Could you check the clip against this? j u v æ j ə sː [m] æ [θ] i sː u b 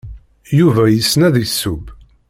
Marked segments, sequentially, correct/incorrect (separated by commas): incorrect, incorrect